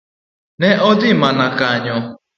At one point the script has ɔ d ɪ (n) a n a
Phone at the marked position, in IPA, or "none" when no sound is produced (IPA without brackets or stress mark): m